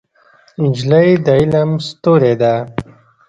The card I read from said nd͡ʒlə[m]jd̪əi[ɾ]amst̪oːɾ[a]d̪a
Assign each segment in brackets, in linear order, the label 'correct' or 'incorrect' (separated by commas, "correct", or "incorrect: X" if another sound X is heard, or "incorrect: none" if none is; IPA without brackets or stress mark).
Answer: incorrect: none, incorrect: l, incorrect: e